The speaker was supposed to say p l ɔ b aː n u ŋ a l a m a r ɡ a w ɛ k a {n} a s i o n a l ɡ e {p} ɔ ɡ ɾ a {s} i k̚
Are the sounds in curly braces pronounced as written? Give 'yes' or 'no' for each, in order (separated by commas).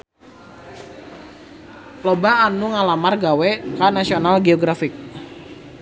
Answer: yes, no, no